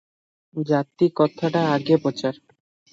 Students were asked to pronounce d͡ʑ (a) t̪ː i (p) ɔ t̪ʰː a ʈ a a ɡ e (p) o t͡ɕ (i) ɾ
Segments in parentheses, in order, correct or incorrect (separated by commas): correct, incorrect, correct, incorrect